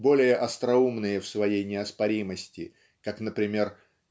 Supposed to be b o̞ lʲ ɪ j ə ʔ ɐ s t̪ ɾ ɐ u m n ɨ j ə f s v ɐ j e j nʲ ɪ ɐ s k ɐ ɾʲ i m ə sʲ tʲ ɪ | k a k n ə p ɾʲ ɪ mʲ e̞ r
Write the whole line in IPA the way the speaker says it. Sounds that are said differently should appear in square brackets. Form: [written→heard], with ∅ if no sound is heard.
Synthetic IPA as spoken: b o̞ lʲ ɪ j ə ʔ ɐ s t̪ ɾ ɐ u m n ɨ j ə f s v ɐ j e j nʲ ɪ ɐ s [k→p] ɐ ɾʲ i m ə sʲ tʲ ɪ | k a k n ə p ɾʲ ɪ mʲ e̞ r